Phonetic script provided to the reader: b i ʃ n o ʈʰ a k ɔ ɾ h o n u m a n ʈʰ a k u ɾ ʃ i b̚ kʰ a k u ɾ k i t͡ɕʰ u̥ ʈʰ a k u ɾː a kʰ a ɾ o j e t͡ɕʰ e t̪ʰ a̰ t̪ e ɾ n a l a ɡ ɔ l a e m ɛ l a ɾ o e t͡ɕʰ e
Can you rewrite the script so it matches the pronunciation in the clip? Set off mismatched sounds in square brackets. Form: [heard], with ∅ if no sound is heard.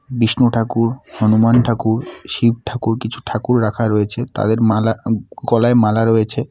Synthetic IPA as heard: b i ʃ n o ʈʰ a k [u] ɾ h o n u m a n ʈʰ a k u ɾ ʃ i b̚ [ʈʰ] a k u ɾ k i t͡ɕʰ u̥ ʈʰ a k u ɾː a kʰ a ɾ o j e t͡ɕʰ e [t̪] a̰ [d̪] e ɾ [m] a l a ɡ ɔ l a e m [a] l a ɾ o e t͡ɕʰ e